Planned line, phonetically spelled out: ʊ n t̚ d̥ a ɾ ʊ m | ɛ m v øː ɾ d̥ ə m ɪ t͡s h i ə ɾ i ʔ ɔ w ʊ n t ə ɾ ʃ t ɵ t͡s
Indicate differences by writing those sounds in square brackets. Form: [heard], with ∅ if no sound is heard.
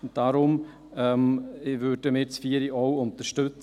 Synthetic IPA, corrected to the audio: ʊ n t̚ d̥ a ɾ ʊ m | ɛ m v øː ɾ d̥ ə m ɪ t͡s [f] i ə ɾ i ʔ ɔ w ʊ n t ə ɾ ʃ t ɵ t͡s